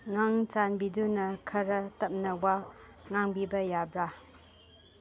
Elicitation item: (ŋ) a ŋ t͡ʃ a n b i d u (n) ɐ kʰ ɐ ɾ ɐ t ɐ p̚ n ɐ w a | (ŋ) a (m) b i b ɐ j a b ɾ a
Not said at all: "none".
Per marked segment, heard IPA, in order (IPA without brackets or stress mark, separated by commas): ŋ, n, ŋ, ŋ